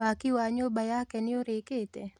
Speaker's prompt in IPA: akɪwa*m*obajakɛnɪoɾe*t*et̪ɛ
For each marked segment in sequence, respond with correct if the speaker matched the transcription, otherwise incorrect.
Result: incorrect, incorrect

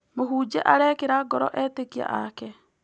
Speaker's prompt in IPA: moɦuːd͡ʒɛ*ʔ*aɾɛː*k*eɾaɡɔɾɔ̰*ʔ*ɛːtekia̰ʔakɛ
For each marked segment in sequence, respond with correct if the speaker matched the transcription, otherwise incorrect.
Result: correct, correct, correct

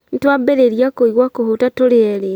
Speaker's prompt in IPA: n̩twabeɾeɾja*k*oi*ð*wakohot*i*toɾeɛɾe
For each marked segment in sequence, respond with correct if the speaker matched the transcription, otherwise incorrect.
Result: correct, incorrect, incorrect

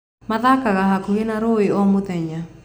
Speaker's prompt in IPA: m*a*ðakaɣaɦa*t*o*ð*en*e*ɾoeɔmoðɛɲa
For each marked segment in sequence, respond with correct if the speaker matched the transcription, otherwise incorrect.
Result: correct, incorrect, incorrect, incorrect

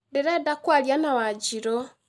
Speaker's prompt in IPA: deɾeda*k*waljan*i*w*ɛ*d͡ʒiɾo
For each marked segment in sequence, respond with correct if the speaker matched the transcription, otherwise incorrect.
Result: correct, incorrect, incorrect

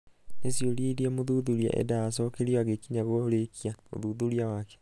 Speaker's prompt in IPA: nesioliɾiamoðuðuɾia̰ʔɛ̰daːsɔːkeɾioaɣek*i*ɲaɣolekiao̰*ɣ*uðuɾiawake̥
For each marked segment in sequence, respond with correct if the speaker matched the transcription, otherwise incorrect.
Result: correct, incorrect

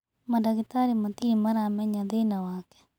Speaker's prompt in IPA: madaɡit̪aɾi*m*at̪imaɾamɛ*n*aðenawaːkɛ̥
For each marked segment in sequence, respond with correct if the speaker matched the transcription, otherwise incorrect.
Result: correct, incorrect

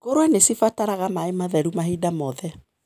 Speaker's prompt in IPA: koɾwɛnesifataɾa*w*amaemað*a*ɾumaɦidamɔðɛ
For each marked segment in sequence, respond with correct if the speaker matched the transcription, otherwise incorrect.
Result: incorrect, incorrect

